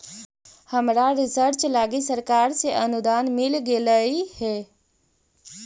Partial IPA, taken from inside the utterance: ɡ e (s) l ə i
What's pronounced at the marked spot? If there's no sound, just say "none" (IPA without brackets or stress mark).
none